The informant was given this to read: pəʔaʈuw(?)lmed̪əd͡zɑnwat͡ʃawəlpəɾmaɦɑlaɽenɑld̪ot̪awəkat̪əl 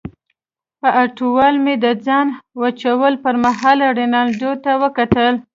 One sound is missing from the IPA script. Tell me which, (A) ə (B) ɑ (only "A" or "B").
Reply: B